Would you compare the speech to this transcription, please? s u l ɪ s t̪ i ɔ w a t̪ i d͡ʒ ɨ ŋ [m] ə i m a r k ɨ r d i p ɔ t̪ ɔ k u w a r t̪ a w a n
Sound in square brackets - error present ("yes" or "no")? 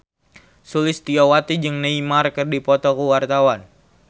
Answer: yes